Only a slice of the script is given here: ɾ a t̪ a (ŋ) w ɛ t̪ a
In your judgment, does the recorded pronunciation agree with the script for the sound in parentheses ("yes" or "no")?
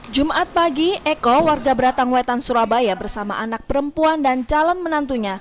yes